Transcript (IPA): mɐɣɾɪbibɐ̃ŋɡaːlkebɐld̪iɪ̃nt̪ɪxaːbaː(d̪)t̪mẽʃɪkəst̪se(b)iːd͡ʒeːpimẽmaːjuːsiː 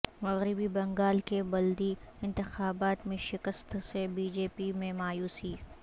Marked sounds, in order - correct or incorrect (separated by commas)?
incorrect, correct